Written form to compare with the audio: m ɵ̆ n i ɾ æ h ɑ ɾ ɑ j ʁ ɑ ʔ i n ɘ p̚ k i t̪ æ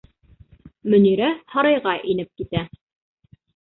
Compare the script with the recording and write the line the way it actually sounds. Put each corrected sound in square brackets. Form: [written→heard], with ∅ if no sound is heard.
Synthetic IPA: m ɵ̆ n i ɾ æ h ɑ ɾ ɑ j ʁ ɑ ʔ i n ɘ p̚ k i t̪ æ

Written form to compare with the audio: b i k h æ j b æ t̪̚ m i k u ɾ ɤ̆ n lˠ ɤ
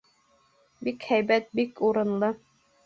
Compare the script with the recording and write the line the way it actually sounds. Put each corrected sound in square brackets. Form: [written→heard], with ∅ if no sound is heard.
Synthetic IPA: b i k h æ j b æ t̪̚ [m→b] i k u ɾ ɤ̆ n lˠ ɤ

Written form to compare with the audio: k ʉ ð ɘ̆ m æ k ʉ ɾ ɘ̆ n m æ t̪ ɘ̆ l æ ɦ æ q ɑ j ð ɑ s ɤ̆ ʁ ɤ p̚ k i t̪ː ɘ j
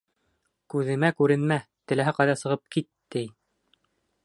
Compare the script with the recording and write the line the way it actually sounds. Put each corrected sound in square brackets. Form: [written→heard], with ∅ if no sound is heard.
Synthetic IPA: k ʉ ð ɘ̆ m æ k ʉ ɾ ɘ̆ n m æ t̪ ɘ̆ l æ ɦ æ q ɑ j ð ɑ s ɤ̆ ʁ ɤ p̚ k i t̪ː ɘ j

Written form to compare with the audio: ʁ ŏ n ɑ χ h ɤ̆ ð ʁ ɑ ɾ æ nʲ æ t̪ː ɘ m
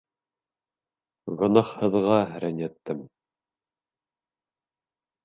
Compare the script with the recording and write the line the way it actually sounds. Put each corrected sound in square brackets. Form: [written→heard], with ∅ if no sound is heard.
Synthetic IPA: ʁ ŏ n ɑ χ h ɤ̆ ð ʁ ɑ ɾ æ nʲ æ t̪ː ɘ m

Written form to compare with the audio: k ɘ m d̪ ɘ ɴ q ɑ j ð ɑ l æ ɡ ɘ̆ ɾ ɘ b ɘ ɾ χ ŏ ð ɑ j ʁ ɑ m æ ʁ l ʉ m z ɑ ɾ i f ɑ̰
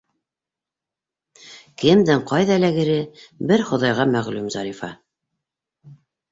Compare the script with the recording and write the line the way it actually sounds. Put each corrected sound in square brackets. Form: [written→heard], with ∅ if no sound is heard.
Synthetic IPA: k ɘ m d̪ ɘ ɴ q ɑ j ð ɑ l æ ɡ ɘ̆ ɾ ɘ b ɘ ɾ χ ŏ ð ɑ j ʁ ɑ m æ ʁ l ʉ m z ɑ ɾ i f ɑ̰

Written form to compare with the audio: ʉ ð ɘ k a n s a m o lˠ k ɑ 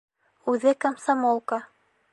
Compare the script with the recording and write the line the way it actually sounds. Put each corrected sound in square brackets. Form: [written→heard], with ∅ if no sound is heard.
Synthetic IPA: ʉ ð ɘ k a [n→m] s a m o lˠ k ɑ

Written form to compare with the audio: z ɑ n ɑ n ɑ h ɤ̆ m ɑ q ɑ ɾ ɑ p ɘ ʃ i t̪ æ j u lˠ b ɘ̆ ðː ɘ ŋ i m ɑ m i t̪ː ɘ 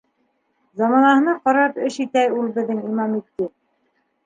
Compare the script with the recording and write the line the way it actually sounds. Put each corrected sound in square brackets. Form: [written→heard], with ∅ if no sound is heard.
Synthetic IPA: z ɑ [n→m] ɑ n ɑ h ɤ̆ [m→n] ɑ q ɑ ɾ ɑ p ɘ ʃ i t̪ æ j u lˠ b ɘ̆ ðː ɘ ŋ i m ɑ m i t̪ː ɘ

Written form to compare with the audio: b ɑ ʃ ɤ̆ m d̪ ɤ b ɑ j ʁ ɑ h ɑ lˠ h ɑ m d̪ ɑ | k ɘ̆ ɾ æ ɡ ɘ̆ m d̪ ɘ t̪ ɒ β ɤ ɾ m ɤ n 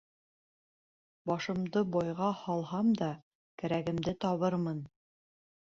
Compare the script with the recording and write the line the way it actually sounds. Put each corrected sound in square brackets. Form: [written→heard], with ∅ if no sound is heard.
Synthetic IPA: b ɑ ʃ ɤ̆ m d̪ ɤ b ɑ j ʁ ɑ h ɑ lˠ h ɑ m d̪ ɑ | k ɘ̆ ɾ æ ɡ ɘ̆ m d̪ ɘ t̪ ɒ β ɤ ɾ m ɤ n

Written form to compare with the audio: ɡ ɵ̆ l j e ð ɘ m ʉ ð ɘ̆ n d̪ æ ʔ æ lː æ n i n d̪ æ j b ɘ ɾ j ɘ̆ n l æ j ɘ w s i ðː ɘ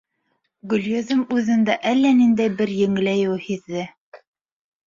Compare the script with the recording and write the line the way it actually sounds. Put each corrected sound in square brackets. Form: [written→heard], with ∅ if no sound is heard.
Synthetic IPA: ɡ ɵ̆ l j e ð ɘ m ʉ ð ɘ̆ n d̪ æ ʔ æ lː æ n i n d̪ æ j b ɘ ɾ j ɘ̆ [n→ŋ] l æ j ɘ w [s→h] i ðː ɘ

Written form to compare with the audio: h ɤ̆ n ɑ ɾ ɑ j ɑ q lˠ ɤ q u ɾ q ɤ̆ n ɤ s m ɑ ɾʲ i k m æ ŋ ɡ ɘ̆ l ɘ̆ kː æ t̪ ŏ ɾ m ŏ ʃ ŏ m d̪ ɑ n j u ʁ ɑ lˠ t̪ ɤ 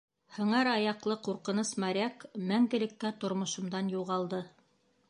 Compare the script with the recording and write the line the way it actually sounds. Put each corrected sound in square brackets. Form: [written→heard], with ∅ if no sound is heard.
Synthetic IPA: h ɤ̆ [n→ɴ] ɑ ɾ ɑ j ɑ q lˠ ɤ q u ɾ q ɤ̆ n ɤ s m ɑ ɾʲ [i→æ] k m æ ŋ ɡ ɘ̆ l ɘ̆ kː æ t̪ ŏ ɾ m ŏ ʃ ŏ m d̪ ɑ n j u ʁ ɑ lˠ [t̪→d̪] ɤ

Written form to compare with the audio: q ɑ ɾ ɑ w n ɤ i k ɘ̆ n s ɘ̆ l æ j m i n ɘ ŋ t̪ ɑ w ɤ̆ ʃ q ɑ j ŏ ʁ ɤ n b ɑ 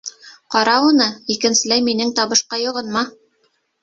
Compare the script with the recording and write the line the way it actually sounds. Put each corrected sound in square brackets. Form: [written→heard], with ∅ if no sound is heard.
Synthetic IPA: q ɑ ɾ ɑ [w→u] n ɤ i k ɘ̆ n s ɘ̆ l æ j m i n ɘ ŋ t̪ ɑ [w→β] ɤ̆ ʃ q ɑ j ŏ ʁ ɤ n [b→m] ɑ

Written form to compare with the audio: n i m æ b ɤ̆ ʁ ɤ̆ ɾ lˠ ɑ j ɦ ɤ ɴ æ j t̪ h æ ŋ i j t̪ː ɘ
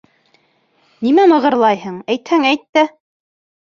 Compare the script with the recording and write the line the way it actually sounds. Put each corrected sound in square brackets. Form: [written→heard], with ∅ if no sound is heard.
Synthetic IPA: n i m æ [b→m] ɤ̆ ʁ ɤ̆ ɾ lˠ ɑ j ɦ ɤ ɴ æ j t̪ h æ ŋ [i→æ] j t̪ː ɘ

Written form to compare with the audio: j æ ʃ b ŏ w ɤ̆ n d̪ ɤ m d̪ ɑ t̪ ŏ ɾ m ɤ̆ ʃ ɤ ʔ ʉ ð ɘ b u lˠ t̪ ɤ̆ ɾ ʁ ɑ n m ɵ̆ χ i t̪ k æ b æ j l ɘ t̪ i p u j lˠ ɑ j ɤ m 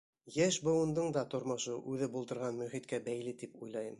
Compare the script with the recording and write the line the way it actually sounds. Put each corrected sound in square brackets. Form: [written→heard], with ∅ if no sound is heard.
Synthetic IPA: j æ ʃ b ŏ w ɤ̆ n d̪ ɤ [m→ɴ] d̪ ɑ t̪ ŏ ɾ m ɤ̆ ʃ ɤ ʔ ʉ ð ɘ b u lˠ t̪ ɤ̆ ɾ ʁ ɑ n m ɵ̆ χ i t̪ k æ b æ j l ɘ t̪ i p u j lˠ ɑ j ɤ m

